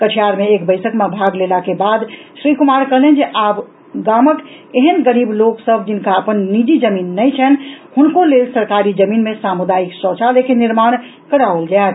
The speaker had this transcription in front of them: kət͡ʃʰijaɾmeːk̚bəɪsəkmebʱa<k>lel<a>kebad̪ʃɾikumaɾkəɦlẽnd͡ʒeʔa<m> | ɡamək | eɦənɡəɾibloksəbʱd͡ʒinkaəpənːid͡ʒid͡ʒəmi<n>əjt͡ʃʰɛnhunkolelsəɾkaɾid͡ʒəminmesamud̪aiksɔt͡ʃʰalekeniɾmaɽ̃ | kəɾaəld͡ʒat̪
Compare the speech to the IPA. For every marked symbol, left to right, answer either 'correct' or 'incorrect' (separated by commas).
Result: incorrect, correct, incorrect, incorrect